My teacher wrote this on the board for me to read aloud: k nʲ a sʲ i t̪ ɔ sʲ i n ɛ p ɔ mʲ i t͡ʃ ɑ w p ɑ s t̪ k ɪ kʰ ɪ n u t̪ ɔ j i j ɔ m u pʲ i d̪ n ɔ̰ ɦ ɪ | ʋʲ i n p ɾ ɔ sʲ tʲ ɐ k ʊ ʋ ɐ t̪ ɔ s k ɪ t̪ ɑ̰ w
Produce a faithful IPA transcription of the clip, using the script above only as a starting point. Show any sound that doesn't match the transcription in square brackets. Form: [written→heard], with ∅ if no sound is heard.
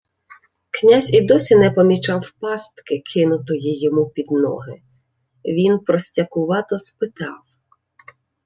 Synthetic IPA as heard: k nʲ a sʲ i [t̪→d̪] ɔ sʲ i n ɛ p ɔ mʲ i t͡ʃ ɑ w p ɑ s t̪ k ɪ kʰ ɪ n [u→ʊ] t̪ ɔ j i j ɔ m u pʲ i d̪ n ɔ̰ ɦ ɪ | ʋʲ i n p ɾ ɔ sʲ tʲ ɐ k ʊ ʋ [ɐ→ɑ] t̪ ɔ s [k→p] ɪ t̪ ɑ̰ w

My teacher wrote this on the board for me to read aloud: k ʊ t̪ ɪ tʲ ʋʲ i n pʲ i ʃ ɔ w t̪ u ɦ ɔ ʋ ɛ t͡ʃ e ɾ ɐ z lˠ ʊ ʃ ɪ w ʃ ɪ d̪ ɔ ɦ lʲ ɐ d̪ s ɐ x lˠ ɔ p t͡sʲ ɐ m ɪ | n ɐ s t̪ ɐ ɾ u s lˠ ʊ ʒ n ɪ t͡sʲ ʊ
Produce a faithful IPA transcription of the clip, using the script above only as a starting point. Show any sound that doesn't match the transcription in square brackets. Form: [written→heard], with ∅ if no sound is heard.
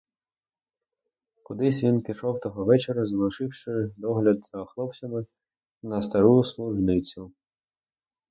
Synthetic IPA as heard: k ʊ [t̪→d̪] ɪ [tʲ→sʲ] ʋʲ i n pʲ i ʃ ɔ w t̪ [u→ɔ] ɦ ɔ ʋ ɛ t͡ʃ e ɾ ɐ z lˠ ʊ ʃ ɪ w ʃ ɪ d̪ ɔ ɦ lʲ ɐ d̪ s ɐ x lˠ ɔ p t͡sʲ ɐ m ɪ | n ɐ s t̪ ɐ ɾ u s lˠ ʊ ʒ n ɪ t͡sʲ ʊ

